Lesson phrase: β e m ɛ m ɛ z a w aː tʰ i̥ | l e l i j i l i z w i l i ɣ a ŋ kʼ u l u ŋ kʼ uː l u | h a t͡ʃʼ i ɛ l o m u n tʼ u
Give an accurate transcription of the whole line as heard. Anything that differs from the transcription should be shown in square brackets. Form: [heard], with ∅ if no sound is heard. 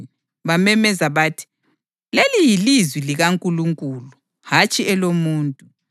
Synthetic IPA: β [a] m ɛ m ɛ z a [β] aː tʰ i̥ | l e l i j i l i z w i l i ɣ a ŋ kʼ u l u ŋ kʼ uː l u | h a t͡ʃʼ i ɛ l o m [uː] n tʼ u